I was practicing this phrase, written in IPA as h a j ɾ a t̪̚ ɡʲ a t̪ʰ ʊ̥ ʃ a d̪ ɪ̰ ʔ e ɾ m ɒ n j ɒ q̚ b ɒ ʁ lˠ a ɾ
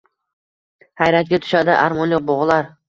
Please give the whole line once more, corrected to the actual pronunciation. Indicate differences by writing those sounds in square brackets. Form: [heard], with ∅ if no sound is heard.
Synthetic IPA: h a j ɾ a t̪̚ ɡʲ a t̪ʰ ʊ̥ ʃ a d̪ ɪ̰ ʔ [a] ɾ m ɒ n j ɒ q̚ b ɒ ʁ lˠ a ɾ